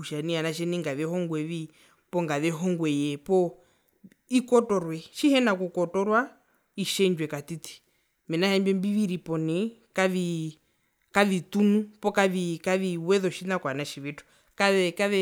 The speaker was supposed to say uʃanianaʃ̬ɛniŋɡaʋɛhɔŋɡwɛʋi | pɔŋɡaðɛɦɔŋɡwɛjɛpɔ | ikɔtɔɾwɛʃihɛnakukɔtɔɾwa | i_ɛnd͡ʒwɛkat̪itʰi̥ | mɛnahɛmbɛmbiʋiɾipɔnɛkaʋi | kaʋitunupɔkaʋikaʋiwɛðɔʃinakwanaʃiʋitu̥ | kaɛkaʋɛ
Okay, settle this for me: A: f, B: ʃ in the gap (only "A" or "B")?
B